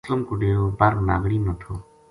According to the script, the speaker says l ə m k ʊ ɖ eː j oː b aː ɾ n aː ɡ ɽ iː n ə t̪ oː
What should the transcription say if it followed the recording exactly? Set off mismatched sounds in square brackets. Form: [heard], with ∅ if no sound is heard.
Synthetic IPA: l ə m k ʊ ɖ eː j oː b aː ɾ n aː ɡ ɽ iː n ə [t̪ʰ] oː